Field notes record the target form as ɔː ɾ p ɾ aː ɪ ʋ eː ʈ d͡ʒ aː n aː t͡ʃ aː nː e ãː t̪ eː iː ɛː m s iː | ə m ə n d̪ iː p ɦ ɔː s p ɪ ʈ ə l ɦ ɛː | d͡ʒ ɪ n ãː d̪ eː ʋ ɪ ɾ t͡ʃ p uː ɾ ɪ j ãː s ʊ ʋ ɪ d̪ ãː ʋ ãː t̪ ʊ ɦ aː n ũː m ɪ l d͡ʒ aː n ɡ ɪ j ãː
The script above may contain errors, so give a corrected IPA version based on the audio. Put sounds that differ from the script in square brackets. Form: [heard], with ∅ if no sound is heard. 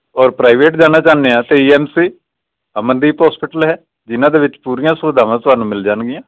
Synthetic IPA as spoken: ɔː ɾ p ɾ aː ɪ ʋ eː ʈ d͡ʒ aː n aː t͡ʃ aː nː e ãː t̪ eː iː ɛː m s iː | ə m ə n d̪ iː p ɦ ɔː s p ɪ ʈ ə l ɦ ɛː | d͡ʒ ɪ n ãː d̪ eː ʋ ɪ [∅] t͡ʃ p uː ɾ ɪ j ãː s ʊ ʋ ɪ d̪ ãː ʋ ãː t̪ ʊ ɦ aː n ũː m ɪ l d͡ʒ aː n ɡ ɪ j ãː

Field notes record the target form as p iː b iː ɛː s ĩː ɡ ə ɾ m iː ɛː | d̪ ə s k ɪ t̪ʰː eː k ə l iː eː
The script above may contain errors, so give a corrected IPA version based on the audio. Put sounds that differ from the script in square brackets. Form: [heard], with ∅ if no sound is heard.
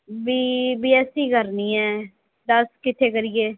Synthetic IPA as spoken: [b] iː b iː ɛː s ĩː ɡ ə ɾ [n] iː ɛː | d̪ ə s k ɪ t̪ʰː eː k ə [ɾ] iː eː

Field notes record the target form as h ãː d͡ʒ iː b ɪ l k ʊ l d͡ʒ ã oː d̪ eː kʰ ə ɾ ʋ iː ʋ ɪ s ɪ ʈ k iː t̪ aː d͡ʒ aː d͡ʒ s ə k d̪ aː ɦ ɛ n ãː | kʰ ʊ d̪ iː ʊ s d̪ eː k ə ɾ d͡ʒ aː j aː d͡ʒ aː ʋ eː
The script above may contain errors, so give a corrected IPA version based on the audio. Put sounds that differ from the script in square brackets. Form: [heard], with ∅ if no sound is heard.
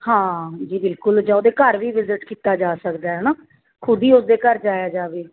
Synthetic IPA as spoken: h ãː d͡ʒ iː b ɪ l k ʊ l d͡ʒ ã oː d̪ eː [k] ə ɾ ʋ iː ʋ ɪ [z] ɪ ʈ k iː t̪ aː d͡ʒ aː [∅] s ə k d̪ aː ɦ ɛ n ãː | kʰ ʊ d̪ iː ʊ s d̪ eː k ə ɾ d͡ʒ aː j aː d͡ʒ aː ʋ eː

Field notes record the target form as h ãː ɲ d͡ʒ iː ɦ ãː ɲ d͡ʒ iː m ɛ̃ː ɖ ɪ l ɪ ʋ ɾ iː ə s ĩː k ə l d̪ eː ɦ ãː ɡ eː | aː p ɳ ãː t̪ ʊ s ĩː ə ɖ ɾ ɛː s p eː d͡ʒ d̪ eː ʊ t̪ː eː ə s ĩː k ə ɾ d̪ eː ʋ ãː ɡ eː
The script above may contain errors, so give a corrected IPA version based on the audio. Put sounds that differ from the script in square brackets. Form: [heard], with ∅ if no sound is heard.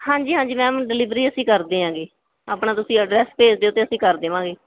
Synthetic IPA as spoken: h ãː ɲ d͡ʒ iː ɦ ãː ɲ d͡ʒ iː m ɛ̃ː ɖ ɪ l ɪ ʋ ɾ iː ə s ĩː k ə [ɾ] d̪ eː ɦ ãː ɡ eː | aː p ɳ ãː t̪ ʊ s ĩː ə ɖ ɾ ɛː s p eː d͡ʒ d̪ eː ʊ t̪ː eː ə s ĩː k ə ɾ d̪ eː ʋ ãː ɡ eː

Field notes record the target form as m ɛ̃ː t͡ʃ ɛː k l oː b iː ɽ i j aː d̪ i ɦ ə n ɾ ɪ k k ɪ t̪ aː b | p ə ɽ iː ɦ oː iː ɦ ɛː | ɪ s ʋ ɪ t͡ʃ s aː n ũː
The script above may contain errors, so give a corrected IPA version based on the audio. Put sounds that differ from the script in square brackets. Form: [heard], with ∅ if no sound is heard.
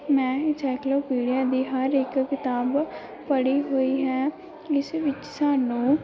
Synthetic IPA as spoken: m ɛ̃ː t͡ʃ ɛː k l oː [p] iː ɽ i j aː d̪ [iː] ɦ ə [∅] ɾ ɪ k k ɪ t̪ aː b | p ə ɽ iː ɦ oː iː ɦ ɛː | ɪ s ʋ ɪ t͡ʃ s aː n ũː

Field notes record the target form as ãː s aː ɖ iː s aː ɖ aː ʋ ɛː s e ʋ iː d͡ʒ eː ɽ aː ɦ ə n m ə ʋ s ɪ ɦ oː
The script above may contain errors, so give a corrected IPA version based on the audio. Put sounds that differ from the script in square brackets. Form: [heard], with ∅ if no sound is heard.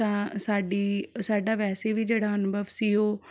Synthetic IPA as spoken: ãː s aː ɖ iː s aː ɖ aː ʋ ɛː s e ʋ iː d͡ʒ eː ɽ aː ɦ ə n [b] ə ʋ s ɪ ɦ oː

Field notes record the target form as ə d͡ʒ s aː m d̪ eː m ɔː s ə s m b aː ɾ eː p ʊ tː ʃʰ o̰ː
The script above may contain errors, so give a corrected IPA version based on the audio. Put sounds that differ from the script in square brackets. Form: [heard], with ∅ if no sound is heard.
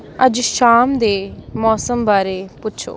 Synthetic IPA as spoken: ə d͡ʒ [ʃ] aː m d̪ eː m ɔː s ə [∅] m b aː ɾ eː p ʊ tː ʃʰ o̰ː

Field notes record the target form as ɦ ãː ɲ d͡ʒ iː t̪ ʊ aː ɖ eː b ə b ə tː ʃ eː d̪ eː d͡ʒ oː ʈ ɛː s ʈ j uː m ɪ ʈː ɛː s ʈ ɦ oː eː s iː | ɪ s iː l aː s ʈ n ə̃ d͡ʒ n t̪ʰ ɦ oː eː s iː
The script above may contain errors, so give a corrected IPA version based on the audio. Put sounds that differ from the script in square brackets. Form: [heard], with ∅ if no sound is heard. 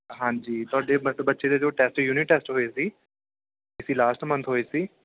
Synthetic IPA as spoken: ɦ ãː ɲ d͡ʒ iː t̪ ʊ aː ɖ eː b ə b ə tː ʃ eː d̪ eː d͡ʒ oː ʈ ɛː s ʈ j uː [n] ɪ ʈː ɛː s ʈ ɦ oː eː s iː | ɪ s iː l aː s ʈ [m] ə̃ [∅] n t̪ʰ ɦ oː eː s iː

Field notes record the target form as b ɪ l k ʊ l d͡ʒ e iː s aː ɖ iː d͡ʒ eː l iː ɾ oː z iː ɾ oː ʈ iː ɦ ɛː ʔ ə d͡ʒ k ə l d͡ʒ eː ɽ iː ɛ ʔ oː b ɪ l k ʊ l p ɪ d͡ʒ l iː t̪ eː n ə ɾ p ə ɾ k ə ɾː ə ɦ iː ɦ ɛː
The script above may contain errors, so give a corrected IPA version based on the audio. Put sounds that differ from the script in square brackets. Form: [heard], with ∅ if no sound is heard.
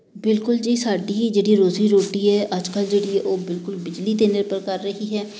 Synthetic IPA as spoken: b ɪ l k ʊ l d͡ʒ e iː s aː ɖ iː d͡ʒ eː [ɽ] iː ɾ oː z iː ɾ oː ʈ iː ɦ ɛː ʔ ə d͡ʒ k ə l d͡ʒ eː ɽ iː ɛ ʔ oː b ɪ l k ʊ l [b] ɪ d͡ʒ l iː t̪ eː n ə ɾ p ə ɾ k ə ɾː ə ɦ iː ɦ ɛː

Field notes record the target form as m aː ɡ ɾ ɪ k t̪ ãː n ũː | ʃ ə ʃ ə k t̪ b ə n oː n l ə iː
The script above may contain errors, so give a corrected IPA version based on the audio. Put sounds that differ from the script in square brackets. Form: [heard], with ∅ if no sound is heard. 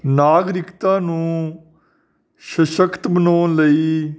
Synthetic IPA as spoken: [n] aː ɡ ɾ ɪ k t̪ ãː n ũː | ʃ ə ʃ ə k t̪ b ə n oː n l ə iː

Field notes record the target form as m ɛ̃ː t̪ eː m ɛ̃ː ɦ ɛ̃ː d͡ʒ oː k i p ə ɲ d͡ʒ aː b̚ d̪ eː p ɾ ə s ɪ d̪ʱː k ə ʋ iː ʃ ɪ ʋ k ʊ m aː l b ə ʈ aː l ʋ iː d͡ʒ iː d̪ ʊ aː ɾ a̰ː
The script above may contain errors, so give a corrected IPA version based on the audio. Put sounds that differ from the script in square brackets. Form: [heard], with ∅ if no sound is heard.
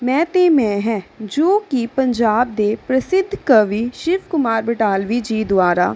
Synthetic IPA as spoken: m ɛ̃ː t̪ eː m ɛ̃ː ɦ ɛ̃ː d͡ʒ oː k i p ə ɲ d͡ʒ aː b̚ d̪ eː p ɾ ə s ɪ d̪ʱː k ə ʋ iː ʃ ɪ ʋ k ʊ m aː [ɾ] b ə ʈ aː l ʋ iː d͡ʒ iː d̪ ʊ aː ɾ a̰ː

